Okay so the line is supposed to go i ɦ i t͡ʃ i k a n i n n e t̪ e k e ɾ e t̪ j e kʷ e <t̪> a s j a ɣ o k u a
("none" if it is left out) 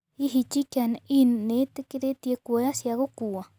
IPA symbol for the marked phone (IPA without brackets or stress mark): none